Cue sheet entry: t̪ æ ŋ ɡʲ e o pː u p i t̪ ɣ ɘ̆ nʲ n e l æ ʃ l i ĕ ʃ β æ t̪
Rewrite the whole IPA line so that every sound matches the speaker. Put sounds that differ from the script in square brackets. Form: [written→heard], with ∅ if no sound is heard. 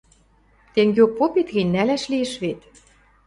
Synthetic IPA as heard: t̪ [æ→e] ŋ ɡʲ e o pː [u→o] p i t̪ ɣ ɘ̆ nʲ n [e→æ] l æ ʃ l i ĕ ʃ β [æ→e] t̪

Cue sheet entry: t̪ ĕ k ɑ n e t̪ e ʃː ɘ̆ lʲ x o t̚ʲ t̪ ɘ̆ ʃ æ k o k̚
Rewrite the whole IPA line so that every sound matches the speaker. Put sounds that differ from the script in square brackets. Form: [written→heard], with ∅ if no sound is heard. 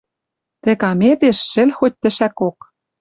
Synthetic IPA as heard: t̪ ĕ k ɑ [n→m] e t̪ e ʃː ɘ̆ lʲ x o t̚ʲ t̪ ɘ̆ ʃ æ k o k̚

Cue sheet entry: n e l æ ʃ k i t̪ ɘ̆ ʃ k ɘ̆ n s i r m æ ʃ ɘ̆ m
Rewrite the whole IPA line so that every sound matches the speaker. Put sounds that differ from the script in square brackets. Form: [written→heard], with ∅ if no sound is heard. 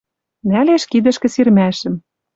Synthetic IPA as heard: n [e→æ] l [æ→e] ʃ k i [t̪→d̪] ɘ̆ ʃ k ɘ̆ [n→∅] s i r m æ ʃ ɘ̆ m

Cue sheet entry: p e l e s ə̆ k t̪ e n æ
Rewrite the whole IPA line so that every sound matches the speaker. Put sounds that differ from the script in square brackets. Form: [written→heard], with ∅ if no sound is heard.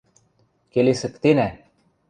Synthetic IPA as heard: [p→k] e l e s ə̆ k t̪ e n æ

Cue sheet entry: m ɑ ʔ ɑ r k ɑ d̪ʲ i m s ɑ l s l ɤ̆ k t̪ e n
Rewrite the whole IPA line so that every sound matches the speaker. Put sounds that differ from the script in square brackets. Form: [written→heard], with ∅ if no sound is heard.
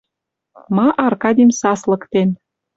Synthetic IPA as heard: m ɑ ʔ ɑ r k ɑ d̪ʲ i m s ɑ [l→∅] s l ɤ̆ k t̪ e n

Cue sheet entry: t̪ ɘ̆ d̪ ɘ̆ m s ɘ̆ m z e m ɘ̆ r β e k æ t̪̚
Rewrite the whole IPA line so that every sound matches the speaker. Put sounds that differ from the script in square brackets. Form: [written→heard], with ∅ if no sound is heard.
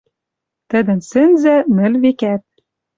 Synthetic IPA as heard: t̪ ɘ̆ d̪ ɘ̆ [m→n] s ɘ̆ [m→n] z [e→æ] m ɘ̆ [r→l] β e k æ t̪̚

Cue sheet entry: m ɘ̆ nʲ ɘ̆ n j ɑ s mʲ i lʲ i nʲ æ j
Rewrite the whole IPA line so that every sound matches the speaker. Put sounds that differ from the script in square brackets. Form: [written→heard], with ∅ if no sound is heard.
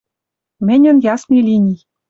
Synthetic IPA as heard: m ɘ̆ nʲ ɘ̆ n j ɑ s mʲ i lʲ i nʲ [æ→i] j

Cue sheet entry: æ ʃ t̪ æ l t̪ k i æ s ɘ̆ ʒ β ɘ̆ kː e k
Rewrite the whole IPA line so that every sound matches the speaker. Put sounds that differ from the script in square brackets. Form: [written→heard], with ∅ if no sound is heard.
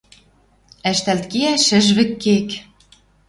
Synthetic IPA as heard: æ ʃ t̪ æ l t̪ k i æ [s→ʃ] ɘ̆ ʒ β ɘ̆ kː e k

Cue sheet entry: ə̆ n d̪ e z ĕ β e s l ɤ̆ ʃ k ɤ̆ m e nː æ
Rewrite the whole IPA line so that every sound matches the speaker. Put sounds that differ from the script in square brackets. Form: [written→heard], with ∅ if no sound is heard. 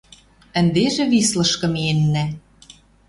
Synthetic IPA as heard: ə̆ n d̪ e [z→ʒ] ĕ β [e→i] s l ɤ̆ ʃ k ɤ̆ m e nː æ

